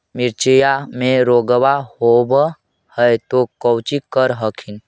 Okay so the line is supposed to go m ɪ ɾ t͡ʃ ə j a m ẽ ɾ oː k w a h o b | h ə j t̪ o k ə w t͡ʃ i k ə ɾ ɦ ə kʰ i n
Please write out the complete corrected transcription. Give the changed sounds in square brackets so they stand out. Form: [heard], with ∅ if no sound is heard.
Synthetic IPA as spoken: m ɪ ɾ t͡ʃ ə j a m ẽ ɾ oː [ɡ] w a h o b | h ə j t̪ o k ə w t͡ʃ i k ə ɾ ɦ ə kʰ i n

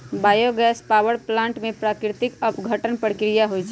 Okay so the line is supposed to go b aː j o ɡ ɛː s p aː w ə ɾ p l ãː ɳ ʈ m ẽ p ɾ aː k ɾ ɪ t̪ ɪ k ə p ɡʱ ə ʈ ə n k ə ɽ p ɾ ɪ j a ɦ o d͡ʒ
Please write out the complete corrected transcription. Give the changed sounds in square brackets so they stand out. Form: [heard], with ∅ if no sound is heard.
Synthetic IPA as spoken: b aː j o ɡ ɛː s p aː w ə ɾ p l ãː ɳ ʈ m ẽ p ɾ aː k ɾ ɪ t̪ ɪ k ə p ɡʱ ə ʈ ə n [p] ə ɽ [k] ɾ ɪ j a ɦ o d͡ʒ

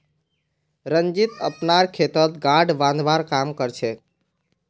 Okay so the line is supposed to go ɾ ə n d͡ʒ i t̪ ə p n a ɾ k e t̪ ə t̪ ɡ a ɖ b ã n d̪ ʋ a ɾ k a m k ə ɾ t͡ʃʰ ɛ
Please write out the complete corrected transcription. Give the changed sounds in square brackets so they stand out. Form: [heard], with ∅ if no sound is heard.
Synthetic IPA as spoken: ɾ ə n d͡ʒ i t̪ ə p n a ɾ [kʰ] e t̪ ə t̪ ɡ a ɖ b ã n d̪ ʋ a ɾ k a m k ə ɾ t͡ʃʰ ɛ

